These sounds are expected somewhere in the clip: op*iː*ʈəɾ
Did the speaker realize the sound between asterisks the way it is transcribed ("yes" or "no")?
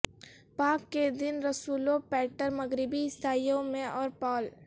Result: no